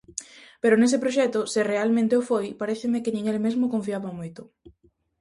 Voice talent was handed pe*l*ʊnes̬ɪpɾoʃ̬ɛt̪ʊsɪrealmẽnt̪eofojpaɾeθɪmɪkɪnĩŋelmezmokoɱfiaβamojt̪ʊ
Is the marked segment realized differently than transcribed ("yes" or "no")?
yes